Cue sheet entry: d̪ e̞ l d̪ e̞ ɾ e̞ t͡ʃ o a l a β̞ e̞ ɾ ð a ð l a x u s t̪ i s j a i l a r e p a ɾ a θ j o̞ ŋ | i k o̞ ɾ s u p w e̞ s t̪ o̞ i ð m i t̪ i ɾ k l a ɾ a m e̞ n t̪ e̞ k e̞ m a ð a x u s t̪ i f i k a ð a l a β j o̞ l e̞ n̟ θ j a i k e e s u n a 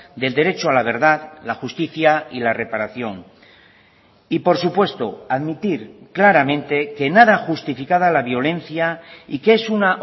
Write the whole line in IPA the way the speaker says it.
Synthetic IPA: d̪ e̞ l d̪ e̞ ɾ e̞ t͡ʃ o a l a β̞ e̞ ɾ ð a ð l a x u s t̪ i θ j a i l a r e p a ɾ a θ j o̞ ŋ | i p o̞ ɾ s u p w e̞ s t̪ o̞ a ð m i t̪ i ɾ k l a ɾ a m ẽ̞ n t̪ e̞ k e̞ n a ð a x u s t̪ i f i k a ð a l a β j o̞ l e̞ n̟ θ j a i k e e s u n a